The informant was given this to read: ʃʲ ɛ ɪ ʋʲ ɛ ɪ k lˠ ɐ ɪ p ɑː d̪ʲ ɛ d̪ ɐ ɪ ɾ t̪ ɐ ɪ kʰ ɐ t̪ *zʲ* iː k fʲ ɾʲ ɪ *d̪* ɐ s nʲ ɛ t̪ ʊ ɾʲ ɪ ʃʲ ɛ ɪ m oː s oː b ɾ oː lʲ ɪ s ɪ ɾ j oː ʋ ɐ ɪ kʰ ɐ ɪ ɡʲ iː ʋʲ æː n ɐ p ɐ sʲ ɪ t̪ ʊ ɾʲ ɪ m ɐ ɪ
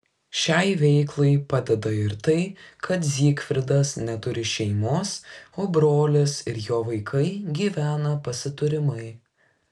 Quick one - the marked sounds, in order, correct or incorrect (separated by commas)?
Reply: correct, correct